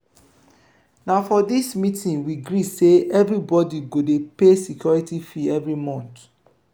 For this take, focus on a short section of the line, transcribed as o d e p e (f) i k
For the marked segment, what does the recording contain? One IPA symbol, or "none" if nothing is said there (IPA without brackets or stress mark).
s